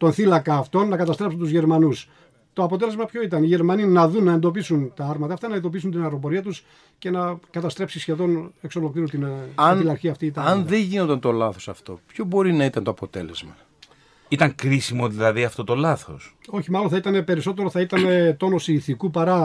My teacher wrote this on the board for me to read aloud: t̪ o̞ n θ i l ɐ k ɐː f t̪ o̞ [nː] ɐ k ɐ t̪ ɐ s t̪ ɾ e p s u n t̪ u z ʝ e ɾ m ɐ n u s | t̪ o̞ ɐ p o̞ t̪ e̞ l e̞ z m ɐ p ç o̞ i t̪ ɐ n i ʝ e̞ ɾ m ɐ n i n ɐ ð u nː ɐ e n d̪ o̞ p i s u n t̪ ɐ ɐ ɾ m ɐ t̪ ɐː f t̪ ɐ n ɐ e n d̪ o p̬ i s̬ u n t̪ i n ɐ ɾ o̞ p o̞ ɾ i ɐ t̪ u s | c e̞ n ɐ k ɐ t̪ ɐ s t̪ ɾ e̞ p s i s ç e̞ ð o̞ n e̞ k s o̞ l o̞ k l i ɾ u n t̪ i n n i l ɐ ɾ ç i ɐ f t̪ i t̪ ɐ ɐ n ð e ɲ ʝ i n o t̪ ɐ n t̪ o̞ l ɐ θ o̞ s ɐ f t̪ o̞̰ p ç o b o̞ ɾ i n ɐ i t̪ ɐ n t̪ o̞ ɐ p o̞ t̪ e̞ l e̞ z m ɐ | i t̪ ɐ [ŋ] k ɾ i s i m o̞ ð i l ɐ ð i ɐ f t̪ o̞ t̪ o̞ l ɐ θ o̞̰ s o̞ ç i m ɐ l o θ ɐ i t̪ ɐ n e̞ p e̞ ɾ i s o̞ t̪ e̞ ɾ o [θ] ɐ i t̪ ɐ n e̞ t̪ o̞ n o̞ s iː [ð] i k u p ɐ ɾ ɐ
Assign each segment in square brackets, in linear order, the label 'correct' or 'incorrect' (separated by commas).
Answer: correct, correct, correct, incorrect